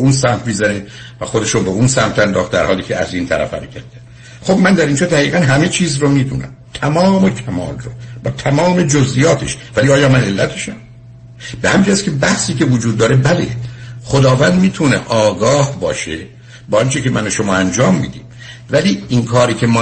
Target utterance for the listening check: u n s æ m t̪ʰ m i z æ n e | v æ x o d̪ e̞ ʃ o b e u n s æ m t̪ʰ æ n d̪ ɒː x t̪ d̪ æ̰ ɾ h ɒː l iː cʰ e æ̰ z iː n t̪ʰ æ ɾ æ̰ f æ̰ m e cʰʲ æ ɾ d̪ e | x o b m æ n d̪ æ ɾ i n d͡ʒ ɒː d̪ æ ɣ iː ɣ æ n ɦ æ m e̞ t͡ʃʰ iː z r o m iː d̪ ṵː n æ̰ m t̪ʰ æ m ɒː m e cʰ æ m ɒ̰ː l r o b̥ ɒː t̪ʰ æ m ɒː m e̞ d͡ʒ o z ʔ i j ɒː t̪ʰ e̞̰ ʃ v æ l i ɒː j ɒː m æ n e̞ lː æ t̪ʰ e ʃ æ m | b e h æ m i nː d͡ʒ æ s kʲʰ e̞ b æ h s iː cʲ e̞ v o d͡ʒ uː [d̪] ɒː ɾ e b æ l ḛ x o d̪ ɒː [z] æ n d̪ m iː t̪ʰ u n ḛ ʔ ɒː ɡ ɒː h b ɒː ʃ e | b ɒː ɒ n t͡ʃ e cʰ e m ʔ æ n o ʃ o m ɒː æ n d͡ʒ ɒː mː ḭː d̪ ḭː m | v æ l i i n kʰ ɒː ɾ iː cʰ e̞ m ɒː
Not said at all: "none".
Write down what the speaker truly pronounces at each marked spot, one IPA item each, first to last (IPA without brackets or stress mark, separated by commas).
d̪ː, v